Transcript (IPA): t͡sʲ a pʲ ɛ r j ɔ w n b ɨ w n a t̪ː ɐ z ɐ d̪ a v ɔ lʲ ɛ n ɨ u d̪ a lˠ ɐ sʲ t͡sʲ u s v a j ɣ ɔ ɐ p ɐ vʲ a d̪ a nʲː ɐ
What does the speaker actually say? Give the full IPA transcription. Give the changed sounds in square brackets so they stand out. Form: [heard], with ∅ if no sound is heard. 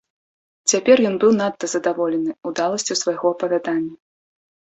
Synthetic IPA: t͡sʲ a pʲ ɛ r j ɔ [∅] n b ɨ w n a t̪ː ɐ z ɐ d̪ a v ɔ lʲ ɛ n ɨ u d̪ a lˠ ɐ sʲ t͡sʲ u s v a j ɣ ɔ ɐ p ɐ vʲ a d̪ a nʲː ɐ